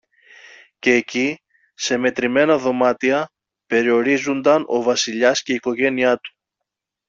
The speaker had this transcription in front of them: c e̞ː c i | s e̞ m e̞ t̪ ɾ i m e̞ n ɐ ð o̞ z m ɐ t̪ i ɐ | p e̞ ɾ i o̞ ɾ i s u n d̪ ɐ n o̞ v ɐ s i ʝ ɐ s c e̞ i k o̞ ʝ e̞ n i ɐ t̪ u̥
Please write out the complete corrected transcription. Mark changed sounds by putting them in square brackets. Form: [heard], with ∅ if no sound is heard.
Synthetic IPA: c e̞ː c i | s e̞ m e̞ t̪ ɾ i m e̞ n ɐ ð o̞ [∅] m ɐ t̪ i ɐ | p e̞ ɾ i o̞ ɾ i [z] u n d̪ ɐ n o̞ v ɐ s i [ʎ] ɐ s c e̞ i k o̞ ʝ e̞ n i ɐ t̪ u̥